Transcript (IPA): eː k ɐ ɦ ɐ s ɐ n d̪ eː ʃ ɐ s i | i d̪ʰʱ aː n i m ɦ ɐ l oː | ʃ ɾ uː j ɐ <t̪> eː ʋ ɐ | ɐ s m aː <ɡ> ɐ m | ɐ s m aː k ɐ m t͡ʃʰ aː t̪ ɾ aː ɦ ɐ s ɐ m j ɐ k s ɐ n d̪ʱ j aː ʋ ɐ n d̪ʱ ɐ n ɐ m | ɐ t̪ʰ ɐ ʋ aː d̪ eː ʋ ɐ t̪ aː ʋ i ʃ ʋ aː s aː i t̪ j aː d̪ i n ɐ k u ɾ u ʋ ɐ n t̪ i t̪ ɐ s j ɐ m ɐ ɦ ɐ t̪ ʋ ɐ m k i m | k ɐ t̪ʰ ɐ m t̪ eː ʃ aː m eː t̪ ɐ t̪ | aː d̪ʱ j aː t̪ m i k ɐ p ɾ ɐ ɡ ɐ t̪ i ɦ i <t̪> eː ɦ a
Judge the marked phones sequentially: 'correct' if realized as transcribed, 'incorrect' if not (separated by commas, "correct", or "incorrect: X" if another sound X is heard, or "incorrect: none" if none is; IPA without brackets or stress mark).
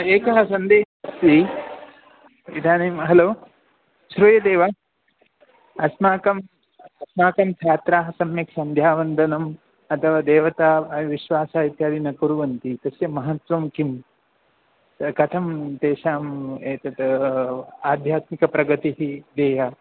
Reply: incorrect: d̪, incorrect: k, incorrect: d̪